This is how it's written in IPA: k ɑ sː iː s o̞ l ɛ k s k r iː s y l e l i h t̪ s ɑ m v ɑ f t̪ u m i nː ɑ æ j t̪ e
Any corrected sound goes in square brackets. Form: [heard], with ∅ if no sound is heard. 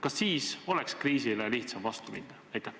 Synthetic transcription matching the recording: k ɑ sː iː s o̞ l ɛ k s k r iː s [i] l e l i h t̪ s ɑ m v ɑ [s] t̪ u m i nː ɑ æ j t̪ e